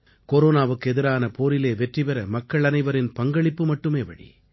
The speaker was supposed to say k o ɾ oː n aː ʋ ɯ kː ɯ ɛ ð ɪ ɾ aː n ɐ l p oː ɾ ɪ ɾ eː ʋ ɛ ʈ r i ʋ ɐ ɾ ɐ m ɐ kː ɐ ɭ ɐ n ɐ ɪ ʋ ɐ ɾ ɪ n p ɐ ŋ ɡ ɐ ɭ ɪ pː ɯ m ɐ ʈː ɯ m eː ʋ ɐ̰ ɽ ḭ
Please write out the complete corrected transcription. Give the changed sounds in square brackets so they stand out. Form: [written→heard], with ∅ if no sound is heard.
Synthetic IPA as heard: k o ɾ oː n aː ʋ ɯ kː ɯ ɛ ð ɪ ɾ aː n ɐ [l→∅] p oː ɾ ɪ [ɾ→l] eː ʋ ɛ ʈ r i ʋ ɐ ɾ ɐ m ɐ kː ɐ ɭ ɐ n ɐ ɪ ʋ ɐ ɾ ɪ n p ɐ ŋ ɡ ɐ ɭ ɪ pː ɯ m ɐ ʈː ɯ m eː ʋ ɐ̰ ɽ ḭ